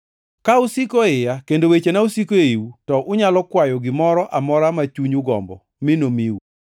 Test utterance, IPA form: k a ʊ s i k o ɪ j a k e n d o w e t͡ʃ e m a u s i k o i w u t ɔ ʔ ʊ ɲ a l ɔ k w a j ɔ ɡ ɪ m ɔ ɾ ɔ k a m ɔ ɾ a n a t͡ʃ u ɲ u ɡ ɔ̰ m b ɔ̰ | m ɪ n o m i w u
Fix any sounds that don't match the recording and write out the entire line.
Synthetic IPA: k a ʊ s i k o ɪ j a k e n d o w e t͡ʃ e n a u s i k o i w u t ɔ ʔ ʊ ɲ a l ɔ k w a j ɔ ɡ ɪ m ɔ ɾ ɔ ʔ a m ɔ ɾ a m a t͡ʃ u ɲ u ɡ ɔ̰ m b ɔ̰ | m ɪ n o m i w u